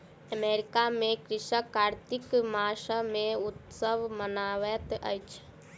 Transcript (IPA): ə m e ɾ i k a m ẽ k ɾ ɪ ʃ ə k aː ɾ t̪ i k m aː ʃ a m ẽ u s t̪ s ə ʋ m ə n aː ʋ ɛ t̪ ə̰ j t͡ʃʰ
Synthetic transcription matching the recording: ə m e ɾ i k a m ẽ k ɾ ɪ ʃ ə k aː ɾ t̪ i k m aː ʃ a m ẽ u t̪ s ə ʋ m ə n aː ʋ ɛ t̪ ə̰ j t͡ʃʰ